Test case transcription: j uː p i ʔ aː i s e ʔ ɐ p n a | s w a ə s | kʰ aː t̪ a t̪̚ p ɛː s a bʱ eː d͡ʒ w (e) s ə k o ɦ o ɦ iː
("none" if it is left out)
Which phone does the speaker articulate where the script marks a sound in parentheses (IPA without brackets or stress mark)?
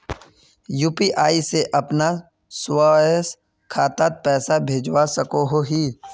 a